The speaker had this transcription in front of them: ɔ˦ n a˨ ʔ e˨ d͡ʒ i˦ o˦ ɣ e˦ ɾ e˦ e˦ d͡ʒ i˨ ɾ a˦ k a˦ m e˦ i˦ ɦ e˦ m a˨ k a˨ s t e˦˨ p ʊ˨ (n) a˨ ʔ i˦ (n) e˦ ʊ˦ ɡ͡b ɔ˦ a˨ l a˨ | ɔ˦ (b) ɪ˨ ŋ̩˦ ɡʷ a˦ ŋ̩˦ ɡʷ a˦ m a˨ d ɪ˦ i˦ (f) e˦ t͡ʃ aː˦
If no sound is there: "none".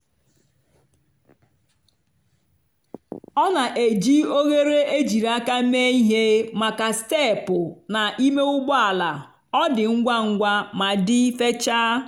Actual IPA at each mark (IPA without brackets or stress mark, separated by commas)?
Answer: n, m, d, f